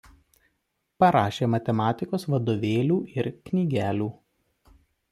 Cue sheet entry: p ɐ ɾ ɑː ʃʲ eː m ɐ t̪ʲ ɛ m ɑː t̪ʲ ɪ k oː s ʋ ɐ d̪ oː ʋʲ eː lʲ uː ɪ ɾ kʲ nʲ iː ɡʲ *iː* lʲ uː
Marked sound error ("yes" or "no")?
yes